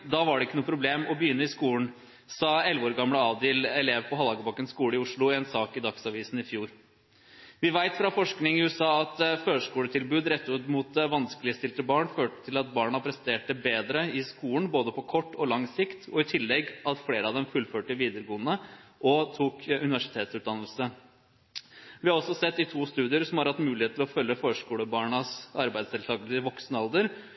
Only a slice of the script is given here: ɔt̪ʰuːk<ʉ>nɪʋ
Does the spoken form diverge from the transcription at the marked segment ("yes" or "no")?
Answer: no